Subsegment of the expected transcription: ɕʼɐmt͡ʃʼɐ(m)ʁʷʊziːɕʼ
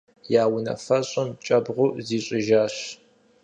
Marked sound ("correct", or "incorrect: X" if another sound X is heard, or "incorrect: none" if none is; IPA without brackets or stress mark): incorrect: b